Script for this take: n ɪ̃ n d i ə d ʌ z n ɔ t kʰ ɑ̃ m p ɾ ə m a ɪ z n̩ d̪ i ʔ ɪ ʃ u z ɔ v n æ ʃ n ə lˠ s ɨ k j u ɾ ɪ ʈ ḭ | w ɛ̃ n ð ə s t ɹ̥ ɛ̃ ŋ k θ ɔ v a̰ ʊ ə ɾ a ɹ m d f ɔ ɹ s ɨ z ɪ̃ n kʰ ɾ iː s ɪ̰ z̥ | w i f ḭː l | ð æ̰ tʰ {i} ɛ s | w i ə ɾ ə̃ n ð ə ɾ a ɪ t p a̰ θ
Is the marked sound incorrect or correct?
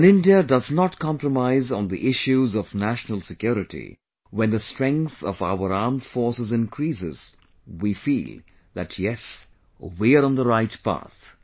incorrect